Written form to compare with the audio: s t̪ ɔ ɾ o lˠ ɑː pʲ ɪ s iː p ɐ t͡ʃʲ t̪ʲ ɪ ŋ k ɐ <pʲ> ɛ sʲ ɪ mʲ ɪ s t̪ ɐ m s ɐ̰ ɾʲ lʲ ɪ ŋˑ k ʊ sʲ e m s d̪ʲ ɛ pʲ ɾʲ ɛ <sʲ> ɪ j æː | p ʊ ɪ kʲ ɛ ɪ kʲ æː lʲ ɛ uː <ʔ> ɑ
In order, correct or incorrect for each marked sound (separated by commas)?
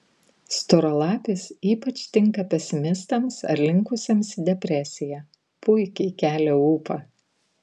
correct, correct, incorrect